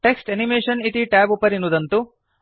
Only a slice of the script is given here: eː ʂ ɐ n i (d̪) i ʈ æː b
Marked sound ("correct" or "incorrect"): incorrect